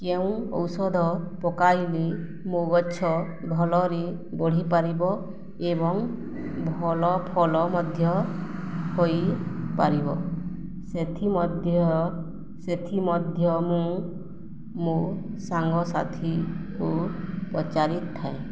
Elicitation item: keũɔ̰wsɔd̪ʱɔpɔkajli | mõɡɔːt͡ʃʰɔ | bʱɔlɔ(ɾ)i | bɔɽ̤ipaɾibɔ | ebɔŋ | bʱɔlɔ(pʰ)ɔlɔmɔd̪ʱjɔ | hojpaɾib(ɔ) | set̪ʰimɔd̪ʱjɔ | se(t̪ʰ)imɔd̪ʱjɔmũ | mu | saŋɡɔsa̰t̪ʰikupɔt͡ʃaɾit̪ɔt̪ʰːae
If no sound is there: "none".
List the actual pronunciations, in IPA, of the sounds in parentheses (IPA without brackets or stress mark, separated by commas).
ɾ, pʰ, ɔ, t̪ʰ